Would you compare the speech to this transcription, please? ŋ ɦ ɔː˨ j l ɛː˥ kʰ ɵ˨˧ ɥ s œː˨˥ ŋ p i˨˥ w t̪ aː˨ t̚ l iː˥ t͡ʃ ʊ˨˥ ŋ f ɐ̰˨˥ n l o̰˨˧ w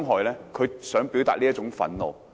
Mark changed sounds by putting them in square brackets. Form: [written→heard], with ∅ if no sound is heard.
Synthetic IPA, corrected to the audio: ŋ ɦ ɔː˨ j l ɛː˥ kʰ ɵ˨˧ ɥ s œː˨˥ ŋ p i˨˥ w t̪ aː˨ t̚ l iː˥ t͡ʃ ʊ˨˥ ŋ f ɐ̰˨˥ n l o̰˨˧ w